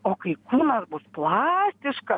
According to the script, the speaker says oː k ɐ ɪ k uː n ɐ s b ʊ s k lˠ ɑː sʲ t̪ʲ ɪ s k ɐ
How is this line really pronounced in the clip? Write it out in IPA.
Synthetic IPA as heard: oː k ɐ ɪ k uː n ɐ s b ʊ s p lˠ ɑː sʲ t̪ʲ ɪ ʃ k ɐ